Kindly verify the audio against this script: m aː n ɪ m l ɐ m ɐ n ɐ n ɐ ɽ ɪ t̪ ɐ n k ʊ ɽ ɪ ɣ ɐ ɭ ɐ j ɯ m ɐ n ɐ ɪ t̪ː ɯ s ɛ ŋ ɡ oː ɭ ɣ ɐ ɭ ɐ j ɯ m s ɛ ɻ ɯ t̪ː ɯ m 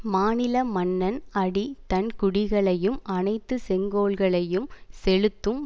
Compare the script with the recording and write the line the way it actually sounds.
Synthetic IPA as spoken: m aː n ɪ l ɐ m ɐ nː ɐ n ɐ ɽ i t̪ ɐ n k ʊ ɽ ɪ ɣ ɐ ɭ ɐ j ɯ m ɐ n ɐ ɪ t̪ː ɯ s ɛ ŋ ɡ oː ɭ ɣ ɐ ɭ ɐ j ɯ m s ɛ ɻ ɯ t̪ː ɯ m